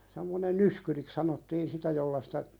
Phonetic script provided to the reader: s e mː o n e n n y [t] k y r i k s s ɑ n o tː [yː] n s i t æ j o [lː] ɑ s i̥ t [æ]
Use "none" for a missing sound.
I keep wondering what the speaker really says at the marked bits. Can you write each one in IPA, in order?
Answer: s, iː, lː, æ

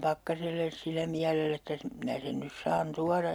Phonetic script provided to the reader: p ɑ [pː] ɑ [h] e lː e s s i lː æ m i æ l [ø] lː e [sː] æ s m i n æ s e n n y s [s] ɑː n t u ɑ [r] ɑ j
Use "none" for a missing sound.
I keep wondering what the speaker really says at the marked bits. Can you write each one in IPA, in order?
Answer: kː, s, e, tː, s, r

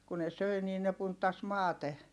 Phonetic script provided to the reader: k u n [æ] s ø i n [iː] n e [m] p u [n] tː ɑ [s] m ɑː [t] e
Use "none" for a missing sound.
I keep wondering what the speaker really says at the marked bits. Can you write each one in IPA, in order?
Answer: e, iː, none, n, s, t

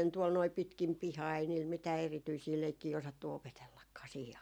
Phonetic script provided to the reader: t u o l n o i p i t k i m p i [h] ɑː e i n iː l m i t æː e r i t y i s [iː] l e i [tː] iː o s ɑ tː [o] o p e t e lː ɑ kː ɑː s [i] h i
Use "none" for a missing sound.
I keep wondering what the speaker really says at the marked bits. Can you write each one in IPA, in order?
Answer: h, iː, kː, u, iː

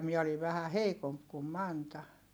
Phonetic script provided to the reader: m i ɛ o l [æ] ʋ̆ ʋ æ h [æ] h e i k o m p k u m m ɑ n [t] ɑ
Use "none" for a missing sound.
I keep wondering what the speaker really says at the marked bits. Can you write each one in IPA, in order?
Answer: i, æ, t

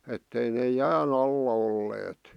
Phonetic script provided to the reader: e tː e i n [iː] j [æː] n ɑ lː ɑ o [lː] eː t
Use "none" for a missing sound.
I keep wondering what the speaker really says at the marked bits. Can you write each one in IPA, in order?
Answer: eː, æː, lː

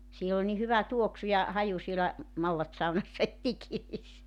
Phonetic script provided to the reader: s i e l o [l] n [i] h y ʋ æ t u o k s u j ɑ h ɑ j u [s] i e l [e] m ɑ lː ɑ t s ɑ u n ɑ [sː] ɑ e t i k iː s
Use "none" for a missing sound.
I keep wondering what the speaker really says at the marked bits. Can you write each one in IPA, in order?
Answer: l, i, s, æ, sː

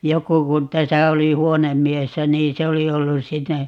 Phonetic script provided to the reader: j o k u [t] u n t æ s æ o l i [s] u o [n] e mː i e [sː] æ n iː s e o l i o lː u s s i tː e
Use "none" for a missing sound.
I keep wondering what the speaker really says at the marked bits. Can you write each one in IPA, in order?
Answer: k, h, n, sː

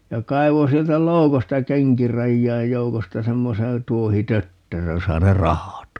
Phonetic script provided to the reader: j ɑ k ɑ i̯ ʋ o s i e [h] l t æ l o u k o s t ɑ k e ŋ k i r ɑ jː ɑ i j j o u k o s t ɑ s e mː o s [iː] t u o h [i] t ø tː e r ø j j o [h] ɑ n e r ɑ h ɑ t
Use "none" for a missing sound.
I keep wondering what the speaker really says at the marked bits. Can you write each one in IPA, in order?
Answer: none, eː, i, s

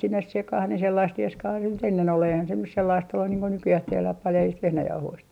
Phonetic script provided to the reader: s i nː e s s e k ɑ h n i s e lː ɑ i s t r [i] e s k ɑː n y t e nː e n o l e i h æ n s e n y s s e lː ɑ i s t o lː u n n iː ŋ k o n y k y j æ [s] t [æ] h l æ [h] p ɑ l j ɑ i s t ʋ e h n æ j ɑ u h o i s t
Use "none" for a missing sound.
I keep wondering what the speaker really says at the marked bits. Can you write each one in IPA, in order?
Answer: i, h, e, h

